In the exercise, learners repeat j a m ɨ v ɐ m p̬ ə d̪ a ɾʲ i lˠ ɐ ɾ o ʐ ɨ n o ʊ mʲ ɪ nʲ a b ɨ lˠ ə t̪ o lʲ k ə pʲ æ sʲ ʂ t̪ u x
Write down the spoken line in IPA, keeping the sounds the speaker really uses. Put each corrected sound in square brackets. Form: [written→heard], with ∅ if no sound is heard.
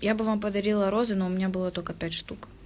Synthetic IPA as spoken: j a [m→b] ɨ v [ɐ→a] m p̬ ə d̪ [a→ɐ] ɾʲ i lˠ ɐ ɾ o [ʐ→z] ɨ n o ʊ mʲ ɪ nʲ a b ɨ lˠ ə t̪ o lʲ k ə pʲ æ [sʲ→tʲ] ʂ t̪ u [x→k]